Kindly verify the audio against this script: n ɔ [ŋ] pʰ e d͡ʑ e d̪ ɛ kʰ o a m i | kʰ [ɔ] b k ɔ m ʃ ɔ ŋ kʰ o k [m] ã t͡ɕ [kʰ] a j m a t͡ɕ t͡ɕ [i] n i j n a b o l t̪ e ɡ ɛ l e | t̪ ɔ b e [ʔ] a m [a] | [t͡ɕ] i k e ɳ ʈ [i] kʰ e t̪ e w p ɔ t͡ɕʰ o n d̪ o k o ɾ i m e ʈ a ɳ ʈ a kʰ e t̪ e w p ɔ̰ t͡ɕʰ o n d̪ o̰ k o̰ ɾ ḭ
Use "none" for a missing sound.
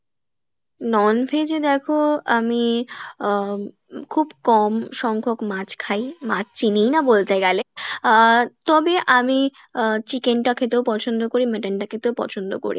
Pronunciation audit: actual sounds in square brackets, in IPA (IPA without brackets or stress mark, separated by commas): n, u, m, kʰ, i, ʔ, i, t͡ɕ, a